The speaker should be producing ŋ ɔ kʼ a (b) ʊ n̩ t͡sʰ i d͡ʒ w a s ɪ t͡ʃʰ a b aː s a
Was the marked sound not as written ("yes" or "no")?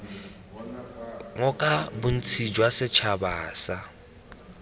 no